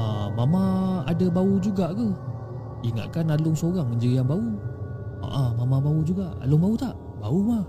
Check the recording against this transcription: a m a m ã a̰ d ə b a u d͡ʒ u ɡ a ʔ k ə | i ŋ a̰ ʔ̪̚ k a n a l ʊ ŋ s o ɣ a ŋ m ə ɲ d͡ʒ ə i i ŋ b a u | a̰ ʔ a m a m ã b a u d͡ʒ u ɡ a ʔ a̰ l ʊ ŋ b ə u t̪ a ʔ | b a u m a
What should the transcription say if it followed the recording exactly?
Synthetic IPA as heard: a m a m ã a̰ d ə b a u d͡ʒ u ɡ a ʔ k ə | i ŋ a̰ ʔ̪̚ k a n a l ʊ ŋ s o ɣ a ŋ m ə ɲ d͡ʒ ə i a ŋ b a u | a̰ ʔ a m a m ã b a u d͡ʒ u ɡ a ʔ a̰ l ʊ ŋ b a u t̪ a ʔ | b a u m a